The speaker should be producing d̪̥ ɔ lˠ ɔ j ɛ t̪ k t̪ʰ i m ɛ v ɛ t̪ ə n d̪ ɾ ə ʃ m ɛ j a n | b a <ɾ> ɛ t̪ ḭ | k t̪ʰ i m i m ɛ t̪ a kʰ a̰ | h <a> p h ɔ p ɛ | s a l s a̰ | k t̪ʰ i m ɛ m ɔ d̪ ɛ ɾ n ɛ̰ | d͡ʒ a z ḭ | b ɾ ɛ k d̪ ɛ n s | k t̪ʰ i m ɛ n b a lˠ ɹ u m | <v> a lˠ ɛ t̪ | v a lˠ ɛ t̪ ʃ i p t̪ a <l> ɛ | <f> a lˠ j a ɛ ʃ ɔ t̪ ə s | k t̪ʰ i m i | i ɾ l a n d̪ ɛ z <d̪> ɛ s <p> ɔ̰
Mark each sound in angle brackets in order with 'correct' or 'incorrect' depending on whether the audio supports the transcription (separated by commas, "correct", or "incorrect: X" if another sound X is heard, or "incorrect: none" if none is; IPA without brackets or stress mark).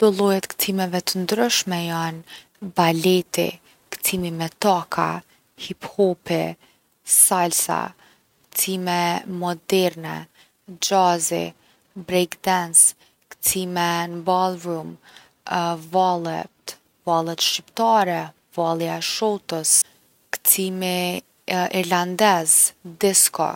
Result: incorrect: l, incorrect: i, correct, incorrect: ɾ, incorrect: v, correct, incorrect: k